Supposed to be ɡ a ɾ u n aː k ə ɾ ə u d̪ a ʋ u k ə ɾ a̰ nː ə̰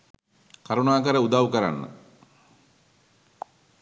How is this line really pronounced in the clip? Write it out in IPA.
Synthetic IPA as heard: k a ɾ u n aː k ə ɾ ə u d̪ a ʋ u k ə ɾ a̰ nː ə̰